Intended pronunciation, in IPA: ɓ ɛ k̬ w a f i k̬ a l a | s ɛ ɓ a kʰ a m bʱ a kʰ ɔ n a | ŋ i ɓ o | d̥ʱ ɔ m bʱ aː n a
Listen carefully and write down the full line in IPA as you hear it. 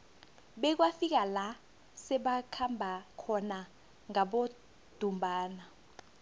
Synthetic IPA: ɓ ɛ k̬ w a f i k̬ a l a | s ɛ ɓ a kʰ a m bʱ a kʰ ɔ n a | ŋ a ɓ o | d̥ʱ u m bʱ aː n a